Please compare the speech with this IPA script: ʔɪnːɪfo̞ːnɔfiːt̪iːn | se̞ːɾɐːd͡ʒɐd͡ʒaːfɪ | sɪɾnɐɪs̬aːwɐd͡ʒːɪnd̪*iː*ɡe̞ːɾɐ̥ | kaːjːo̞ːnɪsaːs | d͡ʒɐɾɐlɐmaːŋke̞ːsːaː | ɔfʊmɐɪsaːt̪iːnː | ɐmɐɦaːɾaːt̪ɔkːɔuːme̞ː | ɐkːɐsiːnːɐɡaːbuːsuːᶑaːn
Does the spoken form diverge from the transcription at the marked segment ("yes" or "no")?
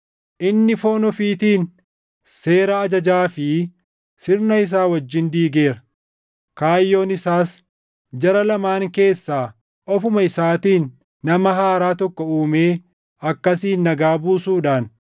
no